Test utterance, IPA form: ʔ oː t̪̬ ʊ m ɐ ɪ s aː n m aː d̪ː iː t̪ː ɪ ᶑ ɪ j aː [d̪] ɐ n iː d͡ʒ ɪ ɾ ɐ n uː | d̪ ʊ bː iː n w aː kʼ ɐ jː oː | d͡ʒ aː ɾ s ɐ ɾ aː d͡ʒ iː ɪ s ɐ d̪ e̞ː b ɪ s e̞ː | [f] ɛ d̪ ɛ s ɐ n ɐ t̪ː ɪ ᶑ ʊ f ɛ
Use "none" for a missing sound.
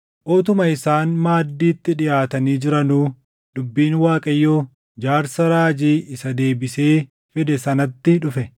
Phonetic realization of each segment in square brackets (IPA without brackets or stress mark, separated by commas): t̪, f